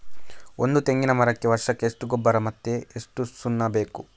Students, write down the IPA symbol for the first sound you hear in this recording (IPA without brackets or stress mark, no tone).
o